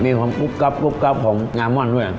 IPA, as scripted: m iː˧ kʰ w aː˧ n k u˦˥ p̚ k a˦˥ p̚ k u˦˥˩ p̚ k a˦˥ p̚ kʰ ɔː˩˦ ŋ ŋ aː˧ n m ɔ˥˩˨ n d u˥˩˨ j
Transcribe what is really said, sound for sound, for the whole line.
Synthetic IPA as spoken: m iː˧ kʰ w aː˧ m k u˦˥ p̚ k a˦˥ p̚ k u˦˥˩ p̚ k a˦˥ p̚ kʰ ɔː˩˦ ŋ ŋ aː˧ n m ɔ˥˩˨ n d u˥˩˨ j